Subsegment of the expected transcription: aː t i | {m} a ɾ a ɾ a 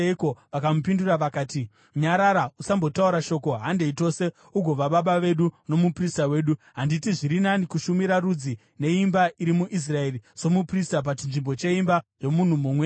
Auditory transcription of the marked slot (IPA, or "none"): ɲ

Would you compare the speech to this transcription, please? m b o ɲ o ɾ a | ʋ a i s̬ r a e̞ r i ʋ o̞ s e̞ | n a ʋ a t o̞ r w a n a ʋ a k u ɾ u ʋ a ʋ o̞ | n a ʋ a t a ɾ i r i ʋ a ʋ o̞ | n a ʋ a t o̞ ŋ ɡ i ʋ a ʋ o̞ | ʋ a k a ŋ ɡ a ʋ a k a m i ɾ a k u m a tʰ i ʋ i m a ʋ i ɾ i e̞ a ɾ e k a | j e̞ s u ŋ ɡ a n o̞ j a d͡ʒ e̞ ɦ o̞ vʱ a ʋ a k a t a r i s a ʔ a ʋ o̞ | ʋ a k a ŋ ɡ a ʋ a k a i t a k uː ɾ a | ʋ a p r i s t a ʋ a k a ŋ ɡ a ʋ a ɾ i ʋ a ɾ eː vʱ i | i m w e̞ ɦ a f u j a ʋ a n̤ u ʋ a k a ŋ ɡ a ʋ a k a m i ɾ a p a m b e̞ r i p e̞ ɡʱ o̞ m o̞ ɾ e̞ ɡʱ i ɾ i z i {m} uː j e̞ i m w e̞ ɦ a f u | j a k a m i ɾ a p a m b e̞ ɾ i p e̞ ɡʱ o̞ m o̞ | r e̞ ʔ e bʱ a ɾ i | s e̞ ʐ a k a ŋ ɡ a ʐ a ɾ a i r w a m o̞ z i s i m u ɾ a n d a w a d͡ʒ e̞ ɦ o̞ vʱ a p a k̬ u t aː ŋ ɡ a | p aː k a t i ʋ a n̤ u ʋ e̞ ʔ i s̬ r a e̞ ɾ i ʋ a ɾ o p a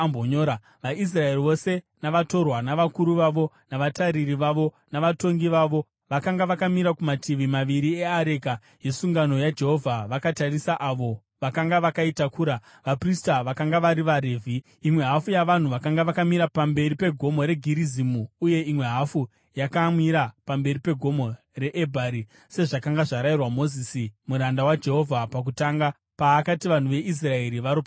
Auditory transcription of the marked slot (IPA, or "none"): m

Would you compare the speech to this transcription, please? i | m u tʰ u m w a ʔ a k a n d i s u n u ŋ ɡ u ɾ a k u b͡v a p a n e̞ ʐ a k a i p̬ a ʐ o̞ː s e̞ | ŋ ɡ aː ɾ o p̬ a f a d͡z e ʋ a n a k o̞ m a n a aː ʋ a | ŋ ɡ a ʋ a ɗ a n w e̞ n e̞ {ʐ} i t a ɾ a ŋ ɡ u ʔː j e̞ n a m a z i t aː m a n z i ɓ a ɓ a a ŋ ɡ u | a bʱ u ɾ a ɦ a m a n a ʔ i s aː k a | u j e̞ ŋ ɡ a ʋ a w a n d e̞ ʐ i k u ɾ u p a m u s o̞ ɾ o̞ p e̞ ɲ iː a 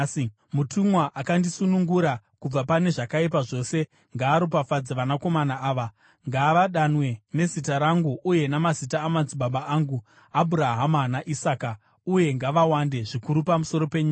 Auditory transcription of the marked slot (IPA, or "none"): z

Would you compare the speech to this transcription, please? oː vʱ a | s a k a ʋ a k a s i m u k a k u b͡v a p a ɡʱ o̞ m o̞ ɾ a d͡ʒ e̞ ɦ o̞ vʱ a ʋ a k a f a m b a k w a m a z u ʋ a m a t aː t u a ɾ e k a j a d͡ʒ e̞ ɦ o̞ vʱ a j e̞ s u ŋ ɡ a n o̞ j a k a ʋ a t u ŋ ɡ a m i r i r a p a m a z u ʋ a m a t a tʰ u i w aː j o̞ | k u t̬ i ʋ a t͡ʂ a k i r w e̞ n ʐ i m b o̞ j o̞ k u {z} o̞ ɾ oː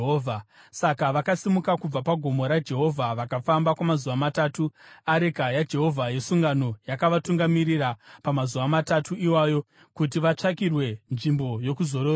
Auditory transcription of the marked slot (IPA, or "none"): z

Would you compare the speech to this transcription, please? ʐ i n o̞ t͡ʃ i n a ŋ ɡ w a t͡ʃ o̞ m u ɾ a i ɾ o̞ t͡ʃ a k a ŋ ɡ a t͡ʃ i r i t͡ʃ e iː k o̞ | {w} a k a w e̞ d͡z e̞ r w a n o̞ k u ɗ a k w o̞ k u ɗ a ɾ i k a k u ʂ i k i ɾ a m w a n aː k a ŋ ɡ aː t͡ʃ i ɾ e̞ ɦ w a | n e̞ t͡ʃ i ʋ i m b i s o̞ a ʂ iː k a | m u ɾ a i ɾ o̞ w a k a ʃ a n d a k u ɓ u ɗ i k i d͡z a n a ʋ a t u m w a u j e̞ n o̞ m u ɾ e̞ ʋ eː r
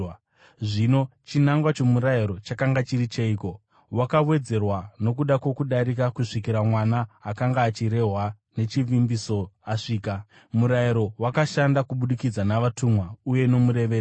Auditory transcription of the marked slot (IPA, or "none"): w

